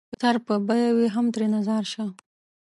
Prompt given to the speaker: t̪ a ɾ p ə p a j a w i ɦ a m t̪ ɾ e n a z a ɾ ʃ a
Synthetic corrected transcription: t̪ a ɾ p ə b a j a w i ɦ a m t̪ ɾ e n a z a ɾ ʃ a